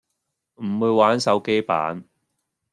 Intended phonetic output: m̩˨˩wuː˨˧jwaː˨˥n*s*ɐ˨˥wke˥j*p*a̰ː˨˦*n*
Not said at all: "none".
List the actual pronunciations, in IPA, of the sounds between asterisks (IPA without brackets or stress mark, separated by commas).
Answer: s, p, n